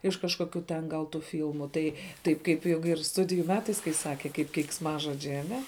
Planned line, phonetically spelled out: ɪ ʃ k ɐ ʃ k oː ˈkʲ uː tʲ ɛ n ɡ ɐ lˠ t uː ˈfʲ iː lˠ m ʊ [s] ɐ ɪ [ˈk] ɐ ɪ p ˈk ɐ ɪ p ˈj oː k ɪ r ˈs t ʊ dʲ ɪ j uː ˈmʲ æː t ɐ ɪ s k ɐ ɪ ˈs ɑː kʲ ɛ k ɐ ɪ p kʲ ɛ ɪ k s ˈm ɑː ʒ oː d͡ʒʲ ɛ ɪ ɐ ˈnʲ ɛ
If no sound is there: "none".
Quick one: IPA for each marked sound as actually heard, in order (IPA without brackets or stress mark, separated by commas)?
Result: t, t